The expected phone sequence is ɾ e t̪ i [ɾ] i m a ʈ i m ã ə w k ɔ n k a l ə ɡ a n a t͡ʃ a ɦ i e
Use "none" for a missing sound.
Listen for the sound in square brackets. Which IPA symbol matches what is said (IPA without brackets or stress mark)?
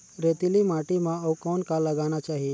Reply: l